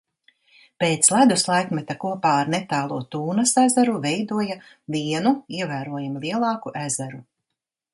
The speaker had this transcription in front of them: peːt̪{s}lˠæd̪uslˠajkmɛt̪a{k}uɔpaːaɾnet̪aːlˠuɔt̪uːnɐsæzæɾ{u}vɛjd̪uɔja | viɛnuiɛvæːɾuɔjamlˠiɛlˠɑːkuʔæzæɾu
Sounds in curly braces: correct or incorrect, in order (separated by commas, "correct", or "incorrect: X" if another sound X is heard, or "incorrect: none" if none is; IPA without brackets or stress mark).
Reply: correct, correct, correct